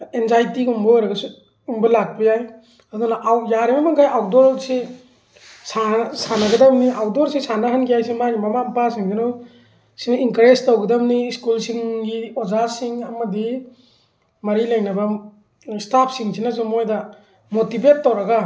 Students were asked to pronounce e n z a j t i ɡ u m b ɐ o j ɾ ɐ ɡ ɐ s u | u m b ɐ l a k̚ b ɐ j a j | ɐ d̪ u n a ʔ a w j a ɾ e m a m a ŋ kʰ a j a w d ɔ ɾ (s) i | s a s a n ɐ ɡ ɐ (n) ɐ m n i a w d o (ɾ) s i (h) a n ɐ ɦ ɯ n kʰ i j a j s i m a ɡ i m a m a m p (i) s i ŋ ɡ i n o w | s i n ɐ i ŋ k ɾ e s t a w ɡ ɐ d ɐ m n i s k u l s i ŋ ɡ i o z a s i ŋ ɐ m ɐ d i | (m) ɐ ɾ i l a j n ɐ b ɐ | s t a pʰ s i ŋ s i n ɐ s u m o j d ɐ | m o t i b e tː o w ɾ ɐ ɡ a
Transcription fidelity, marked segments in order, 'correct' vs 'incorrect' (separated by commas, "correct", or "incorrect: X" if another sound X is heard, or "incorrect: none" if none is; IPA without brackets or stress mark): correct, incorrect: d, correct, incorrect: s, incorrect: a, correct